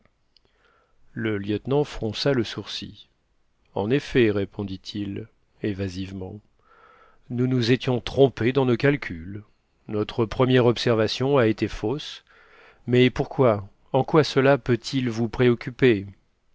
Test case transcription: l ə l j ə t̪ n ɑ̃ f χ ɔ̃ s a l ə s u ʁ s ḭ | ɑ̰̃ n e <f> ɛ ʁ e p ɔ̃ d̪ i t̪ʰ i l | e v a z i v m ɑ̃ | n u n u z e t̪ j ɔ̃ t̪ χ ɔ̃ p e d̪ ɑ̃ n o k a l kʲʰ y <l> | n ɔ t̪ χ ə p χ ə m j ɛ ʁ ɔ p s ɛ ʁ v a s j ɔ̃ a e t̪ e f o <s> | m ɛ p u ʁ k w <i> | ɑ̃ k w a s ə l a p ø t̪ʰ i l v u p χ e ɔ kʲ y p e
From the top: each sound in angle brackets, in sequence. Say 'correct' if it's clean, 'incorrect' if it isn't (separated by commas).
correct, correct, correct, incorrect